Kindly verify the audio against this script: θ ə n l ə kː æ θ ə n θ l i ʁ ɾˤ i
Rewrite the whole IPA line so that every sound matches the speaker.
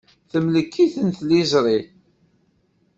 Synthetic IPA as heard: θ ə m l ə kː i θ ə n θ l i z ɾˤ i